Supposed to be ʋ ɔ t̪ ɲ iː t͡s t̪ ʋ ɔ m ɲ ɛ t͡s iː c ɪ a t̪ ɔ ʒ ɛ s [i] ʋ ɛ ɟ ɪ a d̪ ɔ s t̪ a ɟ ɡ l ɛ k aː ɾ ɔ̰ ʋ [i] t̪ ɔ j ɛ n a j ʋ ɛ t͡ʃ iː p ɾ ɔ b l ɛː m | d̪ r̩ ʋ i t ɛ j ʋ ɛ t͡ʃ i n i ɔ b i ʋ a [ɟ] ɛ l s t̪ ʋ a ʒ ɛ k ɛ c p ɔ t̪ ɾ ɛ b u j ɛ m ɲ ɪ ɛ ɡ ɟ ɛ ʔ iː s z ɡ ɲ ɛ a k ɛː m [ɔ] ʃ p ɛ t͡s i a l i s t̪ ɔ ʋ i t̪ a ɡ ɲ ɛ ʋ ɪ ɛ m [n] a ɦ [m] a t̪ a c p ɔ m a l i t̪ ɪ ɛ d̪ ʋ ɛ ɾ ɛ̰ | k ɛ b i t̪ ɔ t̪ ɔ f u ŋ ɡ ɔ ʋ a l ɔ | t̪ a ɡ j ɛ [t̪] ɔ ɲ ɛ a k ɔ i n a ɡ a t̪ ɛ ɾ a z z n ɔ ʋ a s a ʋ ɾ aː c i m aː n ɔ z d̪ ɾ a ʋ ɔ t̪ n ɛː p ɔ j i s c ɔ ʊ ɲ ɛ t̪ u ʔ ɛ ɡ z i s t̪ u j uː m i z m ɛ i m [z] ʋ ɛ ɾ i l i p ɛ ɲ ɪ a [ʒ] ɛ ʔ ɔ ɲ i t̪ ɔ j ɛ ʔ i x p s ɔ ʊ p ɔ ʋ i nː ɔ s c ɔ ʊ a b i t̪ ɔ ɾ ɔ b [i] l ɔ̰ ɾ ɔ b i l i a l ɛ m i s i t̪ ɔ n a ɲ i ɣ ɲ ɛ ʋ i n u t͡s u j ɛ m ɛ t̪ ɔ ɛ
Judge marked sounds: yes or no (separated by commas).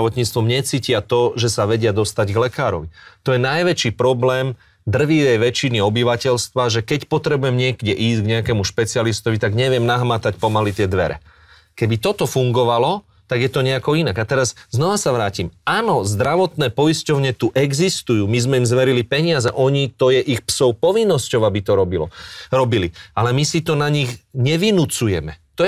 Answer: no, yes, no, no, yes, yes, yes, yes, no, yes